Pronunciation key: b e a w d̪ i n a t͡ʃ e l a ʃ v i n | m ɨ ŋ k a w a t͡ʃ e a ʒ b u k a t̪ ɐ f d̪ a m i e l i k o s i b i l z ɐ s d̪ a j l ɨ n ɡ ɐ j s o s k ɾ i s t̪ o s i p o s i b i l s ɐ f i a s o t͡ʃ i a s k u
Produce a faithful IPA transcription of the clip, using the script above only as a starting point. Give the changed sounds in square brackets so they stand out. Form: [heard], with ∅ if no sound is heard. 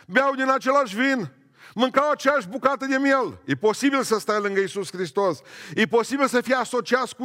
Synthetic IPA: b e a w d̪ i n a t͡ʃ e l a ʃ v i n | m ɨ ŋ k a w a t͡ʃ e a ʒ b u k a t̪ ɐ [∅] d̪ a m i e l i [p] o s i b i l [s] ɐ s [t̪] a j l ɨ [ŋ] ɡ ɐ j s [u] s k ɾ i s t̪ o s i p o s i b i l s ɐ f i a s o t͡ʃ i a s k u